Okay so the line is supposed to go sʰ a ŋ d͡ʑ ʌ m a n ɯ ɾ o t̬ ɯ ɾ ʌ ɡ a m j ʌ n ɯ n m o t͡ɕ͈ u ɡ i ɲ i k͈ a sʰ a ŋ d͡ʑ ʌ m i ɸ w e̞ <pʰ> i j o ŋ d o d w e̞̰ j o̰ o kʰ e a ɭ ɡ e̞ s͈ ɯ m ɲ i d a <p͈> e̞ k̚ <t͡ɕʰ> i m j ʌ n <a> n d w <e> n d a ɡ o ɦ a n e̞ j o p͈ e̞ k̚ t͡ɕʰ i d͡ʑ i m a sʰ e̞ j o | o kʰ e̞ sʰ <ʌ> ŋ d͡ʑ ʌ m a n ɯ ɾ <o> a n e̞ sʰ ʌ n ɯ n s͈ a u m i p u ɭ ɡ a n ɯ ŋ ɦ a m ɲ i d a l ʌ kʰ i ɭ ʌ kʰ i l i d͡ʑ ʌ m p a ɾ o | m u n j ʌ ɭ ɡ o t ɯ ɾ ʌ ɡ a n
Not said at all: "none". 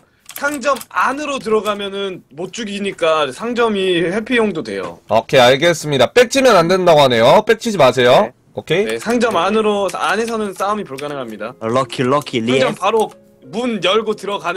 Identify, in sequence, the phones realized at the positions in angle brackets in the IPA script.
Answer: pʰ, p͈, t͡ɕʰ, a, e, a, o

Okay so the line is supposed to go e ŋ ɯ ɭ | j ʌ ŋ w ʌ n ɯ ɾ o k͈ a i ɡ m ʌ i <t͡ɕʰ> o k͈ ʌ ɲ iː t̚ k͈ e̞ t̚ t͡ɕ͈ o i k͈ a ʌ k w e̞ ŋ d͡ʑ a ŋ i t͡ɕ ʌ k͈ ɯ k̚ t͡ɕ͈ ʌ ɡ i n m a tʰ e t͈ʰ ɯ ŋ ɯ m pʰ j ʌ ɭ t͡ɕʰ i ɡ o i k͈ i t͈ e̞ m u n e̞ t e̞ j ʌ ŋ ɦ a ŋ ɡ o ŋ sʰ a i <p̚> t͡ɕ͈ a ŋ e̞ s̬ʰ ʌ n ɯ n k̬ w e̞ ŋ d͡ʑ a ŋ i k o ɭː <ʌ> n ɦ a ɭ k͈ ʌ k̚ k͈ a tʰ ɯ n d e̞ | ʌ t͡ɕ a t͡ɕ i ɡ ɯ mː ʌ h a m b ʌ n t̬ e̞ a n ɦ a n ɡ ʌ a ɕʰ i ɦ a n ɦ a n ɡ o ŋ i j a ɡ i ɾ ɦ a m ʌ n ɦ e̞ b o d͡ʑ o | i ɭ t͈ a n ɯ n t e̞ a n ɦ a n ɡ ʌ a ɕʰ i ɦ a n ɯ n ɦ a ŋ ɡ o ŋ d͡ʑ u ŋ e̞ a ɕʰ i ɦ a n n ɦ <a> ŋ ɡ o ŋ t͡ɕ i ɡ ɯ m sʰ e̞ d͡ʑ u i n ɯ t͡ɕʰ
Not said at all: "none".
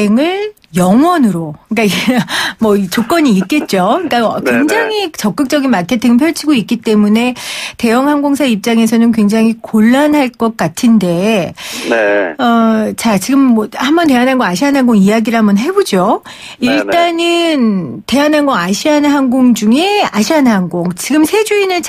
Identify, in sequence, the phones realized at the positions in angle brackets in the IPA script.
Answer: t͡ɕ, p̚, a, a

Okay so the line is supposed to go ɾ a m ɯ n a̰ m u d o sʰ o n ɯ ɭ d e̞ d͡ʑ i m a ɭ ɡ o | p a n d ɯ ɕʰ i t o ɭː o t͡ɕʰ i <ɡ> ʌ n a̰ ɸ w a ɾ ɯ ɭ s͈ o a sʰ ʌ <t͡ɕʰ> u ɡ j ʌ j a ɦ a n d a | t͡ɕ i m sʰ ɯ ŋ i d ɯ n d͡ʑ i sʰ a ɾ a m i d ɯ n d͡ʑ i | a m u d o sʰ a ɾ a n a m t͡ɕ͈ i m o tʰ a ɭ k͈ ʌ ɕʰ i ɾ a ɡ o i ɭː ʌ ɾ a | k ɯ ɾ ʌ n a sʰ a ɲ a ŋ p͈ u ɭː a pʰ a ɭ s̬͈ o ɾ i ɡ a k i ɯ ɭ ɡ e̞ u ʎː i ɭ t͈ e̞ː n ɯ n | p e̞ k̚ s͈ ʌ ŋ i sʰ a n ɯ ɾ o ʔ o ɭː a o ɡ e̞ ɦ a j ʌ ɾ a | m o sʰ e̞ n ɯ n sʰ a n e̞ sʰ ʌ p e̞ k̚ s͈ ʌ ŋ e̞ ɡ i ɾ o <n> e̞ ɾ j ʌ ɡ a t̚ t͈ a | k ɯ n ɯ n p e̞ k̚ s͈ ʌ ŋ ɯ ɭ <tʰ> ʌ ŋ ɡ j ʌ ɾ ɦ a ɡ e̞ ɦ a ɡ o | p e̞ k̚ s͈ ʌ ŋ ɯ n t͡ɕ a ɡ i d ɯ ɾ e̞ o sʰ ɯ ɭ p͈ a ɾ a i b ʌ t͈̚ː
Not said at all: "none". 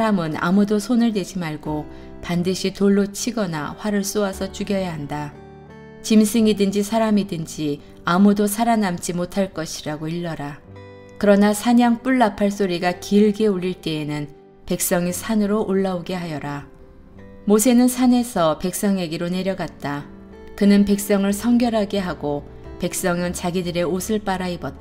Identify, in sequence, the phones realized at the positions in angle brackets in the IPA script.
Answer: ɡ, t͡ɕ, n, sʰ

